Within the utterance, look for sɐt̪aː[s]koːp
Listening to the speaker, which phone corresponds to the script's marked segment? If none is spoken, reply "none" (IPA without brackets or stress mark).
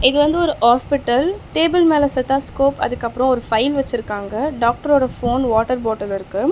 s